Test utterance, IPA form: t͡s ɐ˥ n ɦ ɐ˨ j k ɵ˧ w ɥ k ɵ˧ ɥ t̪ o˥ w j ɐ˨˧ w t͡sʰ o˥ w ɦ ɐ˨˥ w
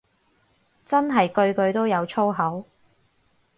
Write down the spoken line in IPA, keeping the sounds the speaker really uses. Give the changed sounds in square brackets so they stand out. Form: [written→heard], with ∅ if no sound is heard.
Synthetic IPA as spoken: t͡s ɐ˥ n ɦ ɐ˨ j k ɵ˧ [w→∅] ɥ k ɵ˧ ɥ t̪ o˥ w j ɐ˨˧ w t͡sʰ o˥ w ɦ ɐ˨˥ w